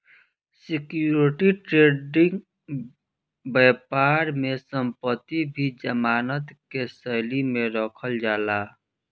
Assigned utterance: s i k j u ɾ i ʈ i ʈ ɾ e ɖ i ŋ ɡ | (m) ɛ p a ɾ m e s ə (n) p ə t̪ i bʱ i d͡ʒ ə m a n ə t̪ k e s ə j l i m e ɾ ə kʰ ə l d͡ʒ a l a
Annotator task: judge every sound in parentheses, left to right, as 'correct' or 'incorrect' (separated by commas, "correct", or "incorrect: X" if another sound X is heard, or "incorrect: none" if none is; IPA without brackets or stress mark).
incorrect: b, incorrect: m